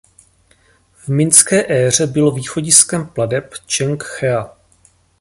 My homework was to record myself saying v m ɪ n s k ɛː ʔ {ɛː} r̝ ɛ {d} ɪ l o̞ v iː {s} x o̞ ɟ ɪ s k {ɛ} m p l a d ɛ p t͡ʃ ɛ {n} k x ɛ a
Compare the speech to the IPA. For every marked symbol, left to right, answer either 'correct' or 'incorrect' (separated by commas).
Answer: correct, incorrect, incorrect, correct, incorrect